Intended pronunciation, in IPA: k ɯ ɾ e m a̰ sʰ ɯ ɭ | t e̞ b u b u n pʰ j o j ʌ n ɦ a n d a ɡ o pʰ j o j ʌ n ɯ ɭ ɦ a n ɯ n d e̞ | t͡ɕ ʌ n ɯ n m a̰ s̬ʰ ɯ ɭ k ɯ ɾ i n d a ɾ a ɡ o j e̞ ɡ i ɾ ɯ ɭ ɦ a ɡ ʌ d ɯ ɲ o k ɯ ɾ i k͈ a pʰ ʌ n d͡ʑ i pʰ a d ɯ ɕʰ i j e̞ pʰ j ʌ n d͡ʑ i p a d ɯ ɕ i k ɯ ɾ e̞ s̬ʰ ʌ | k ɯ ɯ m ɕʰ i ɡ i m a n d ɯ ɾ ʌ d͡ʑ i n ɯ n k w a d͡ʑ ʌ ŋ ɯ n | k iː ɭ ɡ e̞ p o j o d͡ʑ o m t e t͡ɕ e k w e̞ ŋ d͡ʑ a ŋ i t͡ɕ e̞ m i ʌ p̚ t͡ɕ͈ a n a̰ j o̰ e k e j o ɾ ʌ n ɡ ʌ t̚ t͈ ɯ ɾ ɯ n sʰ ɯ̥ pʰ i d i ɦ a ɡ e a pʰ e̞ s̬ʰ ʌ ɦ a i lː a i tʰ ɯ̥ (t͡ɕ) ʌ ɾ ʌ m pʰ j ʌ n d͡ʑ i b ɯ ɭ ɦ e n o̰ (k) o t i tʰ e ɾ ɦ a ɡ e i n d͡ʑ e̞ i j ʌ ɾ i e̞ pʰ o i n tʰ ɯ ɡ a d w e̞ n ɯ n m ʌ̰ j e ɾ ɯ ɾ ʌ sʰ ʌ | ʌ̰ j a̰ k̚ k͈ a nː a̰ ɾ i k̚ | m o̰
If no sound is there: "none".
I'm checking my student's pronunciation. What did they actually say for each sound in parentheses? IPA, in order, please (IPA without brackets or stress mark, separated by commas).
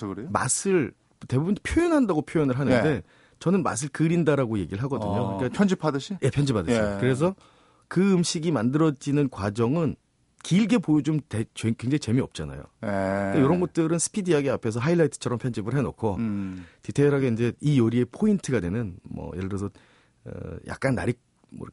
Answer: t͡ɕʰ, kʰ